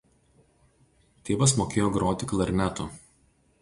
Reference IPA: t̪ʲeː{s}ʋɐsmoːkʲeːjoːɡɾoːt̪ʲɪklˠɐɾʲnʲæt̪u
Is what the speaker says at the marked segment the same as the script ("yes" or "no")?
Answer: no